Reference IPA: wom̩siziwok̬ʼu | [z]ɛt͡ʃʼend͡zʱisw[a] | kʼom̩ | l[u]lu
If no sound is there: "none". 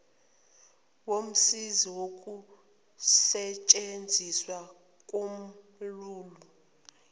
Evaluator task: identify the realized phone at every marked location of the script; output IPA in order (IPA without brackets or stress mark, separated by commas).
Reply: s, a, uː